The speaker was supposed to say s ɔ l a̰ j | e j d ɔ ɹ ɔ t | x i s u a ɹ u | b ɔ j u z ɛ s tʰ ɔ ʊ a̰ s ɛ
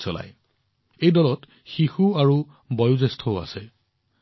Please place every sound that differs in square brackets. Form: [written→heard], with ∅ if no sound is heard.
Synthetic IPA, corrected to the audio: s ɔ l a̰ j | e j d ɔ [ɹ→l] ɔ t | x i [s→x] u a ɹ u | b ɔ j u z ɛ s tʰ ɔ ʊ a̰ s ɛ